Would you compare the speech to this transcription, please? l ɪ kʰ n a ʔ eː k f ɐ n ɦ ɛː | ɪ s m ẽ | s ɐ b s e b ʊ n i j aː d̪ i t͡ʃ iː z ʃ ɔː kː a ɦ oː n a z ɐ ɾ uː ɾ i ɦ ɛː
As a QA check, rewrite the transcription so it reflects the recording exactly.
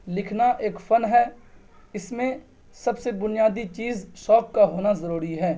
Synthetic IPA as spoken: l ɪ kʰ n a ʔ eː k f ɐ n ɦ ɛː | ɪ s m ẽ | s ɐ b s e b ʊ n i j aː d̪ i t͡ʃ iː z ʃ ɔː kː a ɦ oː n a z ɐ ɾ uː ɾ i ɦ ɛː